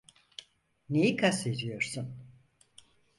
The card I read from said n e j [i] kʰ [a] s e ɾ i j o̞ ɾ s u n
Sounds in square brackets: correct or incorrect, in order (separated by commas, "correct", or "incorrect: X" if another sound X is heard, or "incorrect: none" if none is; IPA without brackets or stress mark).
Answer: correct, correct